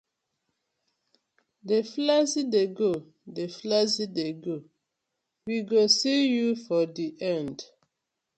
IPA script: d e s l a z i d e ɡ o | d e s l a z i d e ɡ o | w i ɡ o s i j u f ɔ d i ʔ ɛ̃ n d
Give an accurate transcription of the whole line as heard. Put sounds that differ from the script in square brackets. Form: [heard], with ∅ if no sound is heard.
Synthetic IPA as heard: d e [f] l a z i d e ɡ o | d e [f] l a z i d e ɡ o | w i ɡ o s i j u f ɔ d i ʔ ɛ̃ n d

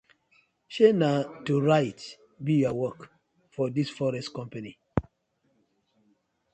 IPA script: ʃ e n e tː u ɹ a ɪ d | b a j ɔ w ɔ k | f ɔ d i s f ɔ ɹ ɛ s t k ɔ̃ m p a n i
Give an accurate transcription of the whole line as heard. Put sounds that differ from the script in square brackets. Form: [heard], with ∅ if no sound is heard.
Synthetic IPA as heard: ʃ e n [a] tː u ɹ a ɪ [t] | b [i] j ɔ w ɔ k | f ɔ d i s f ɔ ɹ ɛ s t k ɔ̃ m p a n i

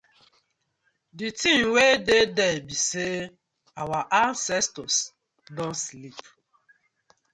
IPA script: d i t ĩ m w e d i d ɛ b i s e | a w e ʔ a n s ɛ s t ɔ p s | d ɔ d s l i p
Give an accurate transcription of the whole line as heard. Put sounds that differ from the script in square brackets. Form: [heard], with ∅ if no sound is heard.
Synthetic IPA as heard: d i t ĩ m w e d [e] d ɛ b i s e | a w [a] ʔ a n s ɛ s t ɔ [∅] s | d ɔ [n] s l i p

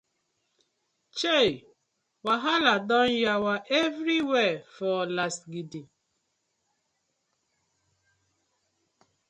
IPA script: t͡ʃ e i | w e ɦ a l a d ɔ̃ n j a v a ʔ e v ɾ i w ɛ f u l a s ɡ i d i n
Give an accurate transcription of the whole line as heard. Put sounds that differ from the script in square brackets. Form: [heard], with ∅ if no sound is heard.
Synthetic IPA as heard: t͡ʃ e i | w [a] ɦ a l a d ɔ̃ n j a [w] a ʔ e v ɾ i w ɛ f [ɔ] l a s ɡ i d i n

